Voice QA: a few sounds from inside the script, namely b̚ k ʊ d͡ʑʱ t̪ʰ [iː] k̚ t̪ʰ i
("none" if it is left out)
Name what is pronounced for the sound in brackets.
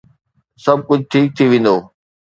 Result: iː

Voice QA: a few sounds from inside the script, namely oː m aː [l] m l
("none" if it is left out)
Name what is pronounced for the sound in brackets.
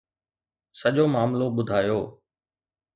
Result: none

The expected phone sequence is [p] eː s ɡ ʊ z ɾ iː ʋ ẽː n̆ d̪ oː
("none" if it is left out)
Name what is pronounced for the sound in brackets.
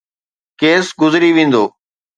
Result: k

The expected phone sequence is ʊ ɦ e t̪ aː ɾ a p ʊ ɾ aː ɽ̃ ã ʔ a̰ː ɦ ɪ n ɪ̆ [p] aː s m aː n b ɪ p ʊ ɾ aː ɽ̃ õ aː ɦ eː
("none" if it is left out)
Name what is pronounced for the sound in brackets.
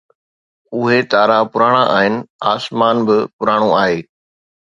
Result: none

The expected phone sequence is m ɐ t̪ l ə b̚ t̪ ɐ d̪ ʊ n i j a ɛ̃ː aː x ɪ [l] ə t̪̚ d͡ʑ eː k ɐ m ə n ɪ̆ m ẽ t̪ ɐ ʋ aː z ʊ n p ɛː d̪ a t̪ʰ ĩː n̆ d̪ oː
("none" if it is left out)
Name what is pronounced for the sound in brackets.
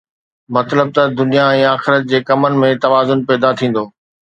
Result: ɾ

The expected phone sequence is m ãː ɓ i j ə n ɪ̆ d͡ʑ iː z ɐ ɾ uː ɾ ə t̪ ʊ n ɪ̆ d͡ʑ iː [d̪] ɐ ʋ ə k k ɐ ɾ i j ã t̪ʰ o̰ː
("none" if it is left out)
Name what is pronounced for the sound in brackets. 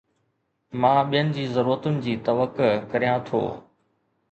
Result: t̪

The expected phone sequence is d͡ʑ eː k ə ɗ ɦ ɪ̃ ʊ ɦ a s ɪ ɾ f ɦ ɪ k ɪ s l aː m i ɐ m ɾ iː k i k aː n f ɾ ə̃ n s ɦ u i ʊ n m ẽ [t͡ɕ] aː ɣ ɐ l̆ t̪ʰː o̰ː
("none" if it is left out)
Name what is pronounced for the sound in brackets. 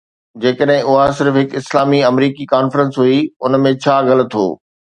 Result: t͡ɕʰ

